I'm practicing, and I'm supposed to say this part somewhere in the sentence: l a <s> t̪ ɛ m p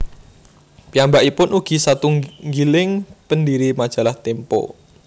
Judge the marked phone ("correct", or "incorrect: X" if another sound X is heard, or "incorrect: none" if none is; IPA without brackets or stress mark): incorrect: h